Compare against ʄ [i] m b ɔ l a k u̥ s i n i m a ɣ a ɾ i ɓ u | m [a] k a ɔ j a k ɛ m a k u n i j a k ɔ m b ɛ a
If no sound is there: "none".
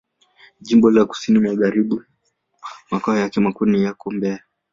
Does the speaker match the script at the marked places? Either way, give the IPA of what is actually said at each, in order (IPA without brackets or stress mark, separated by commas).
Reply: i, a